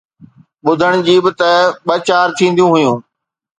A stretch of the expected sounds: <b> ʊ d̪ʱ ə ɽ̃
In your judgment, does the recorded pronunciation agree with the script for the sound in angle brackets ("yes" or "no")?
no